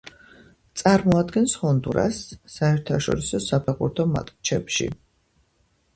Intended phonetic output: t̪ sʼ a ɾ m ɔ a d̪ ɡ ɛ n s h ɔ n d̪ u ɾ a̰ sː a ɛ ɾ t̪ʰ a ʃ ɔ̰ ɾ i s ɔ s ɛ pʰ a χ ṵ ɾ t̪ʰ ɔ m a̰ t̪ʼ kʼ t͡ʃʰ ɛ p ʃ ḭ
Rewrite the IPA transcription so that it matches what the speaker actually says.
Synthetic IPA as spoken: t̪ sʼ a ɾ m ɔ a d̪ ɡ ɛ n s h ɔ n d̪ u ɾ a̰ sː a ɛ ɾ t̪ʰ a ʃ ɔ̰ ɾ i s ɔ s a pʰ a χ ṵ ɾ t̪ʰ ɔ m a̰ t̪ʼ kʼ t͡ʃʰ ɛ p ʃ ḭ